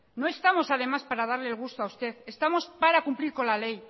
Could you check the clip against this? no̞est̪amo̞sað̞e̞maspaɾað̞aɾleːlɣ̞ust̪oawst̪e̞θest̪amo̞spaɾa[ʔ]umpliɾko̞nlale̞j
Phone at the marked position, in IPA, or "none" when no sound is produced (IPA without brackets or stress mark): k